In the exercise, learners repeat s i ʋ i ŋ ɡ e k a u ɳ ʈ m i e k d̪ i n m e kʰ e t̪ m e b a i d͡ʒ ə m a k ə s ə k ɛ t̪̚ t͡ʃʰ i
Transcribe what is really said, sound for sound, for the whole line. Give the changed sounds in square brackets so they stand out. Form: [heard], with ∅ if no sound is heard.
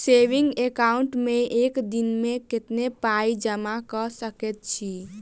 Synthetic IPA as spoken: s [e] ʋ i ŋ ɡ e k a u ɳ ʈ m [e] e k d̪ i n m e [k] e t̪ [n] e [p] a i d͡ʒ ə m a k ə s ə k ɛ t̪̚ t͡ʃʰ i

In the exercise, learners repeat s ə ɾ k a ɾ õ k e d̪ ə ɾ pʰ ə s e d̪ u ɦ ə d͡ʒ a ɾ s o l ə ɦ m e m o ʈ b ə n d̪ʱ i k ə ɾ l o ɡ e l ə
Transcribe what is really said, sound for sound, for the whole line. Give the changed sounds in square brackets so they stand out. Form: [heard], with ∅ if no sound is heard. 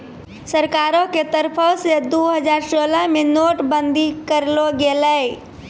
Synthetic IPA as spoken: s ə ɾ k a ɾ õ k e [t̪] ə ɾ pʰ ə s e d̪ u ɦ ə d͡ʒ a ɾ s o l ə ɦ m e [n] o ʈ b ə n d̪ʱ i k ə ɾ l o ɡ e l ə

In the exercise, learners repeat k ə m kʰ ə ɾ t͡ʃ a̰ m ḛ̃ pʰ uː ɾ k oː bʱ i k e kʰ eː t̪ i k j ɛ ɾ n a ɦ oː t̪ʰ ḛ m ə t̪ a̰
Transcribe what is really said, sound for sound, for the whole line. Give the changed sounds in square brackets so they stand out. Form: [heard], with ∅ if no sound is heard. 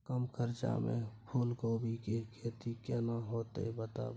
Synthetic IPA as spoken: k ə m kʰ ə ɾ t͡ʃ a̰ m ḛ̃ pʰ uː [l] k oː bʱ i k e kʰ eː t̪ i k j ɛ [∅] n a ɦ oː [t̪] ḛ [b] ə t̪ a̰

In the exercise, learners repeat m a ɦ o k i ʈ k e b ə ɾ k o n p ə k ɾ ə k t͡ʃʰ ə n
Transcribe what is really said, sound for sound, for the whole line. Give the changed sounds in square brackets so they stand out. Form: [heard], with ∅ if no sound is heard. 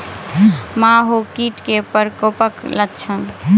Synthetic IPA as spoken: m a ɦ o k i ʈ k e [p] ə ɾ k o [∅] p ə k [l] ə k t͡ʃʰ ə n

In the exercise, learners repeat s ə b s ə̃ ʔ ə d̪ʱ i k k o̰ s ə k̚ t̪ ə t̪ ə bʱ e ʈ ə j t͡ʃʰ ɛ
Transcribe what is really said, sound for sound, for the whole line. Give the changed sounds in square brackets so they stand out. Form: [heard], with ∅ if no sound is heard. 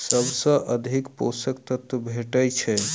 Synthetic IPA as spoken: s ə b s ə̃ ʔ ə d̪ʱ i k [p] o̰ s ə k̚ t̪ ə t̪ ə bʱ e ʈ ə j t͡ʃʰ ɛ

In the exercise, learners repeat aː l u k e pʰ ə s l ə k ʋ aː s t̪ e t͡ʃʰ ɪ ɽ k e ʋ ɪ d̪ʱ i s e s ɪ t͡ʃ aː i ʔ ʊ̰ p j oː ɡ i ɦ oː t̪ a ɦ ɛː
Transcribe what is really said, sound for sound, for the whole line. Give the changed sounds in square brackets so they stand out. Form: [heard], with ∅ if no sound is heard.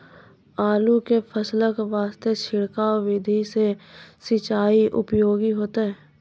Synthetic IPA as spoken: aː l u k e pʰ ə s l ə k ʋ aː s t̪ e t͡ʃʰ ɪ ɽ k [a] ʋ ɪ d̪ʱ i s e s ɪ t͡ʃ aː i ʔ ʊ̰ p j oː ɡ i ɦ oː t̪ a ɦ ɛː

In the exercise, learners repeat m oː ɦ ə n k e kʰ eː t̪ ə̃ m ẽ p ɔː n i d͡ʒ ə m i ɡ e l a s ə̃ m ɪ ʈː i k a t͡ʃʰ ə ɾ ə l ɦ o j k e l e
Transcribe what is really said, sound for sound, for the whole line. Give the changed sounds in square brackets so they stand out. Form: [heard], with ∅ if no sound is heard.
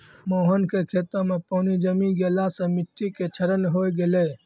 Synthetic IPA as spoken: m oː ɦ ə n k e kʰ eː t̪ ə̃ m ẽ p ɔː n i d͡ʒ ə m i ɡ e l a s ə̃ m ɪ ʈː i k [e] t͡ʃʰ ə ɾ ə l ɦ o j [ɡ] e l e

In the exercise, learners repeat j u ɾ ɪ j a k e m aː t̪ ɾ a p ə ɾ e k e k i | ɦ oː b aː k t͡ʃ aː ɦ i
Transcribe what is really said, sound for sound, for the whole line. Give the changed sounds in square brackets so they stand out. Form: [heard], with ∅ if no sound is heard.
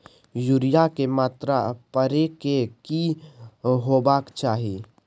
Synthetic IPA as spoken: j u ɾ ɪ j a k e m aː t̪ ɾ a p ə ɾ e k e k i | ɦ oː b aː k t͡ʃ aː ɦ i

